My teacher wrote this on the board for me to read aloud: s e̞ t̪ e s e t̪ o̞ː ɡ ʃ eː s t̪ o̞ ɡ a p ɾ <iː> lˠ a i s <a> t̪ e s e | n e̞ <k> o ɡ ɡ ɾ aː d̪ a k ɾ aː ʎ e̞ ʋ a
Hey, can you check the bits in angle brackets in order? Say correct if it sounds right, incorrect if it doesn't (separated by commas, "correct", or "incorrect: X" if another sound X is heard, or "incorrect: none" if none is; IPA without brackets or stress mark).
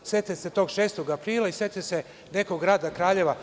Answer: correct, incorrect: e, correct